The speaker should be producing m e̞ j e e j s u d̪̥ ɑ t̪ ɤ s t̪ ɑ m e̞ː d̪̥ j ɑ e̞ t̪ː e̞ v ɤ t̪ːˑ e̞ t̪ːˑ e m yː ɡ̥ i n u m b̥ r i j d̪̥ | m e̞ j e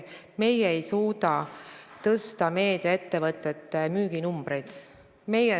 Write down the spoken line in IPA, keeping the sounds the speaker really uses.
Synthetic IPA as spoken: m e̞ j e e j s uː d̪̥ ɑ t̪ ɤ s t̪ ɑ m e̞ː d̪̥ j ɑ e̞ t̪ː e̞ v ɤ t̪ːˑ e̞ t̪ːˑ e m yː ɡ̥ i n u m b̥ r e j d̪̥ | m e̞ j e